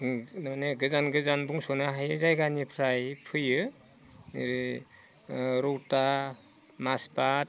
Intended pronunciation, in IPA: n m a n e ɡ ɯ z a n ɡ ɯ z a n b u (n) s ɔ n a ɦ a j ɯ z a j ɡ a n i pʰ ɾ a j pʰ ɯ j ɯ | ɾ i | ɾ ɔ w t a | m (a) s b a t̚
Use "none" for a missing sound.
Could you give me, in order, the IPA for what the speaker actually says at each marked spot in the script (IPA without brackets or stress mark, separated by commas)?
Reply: ŋ, a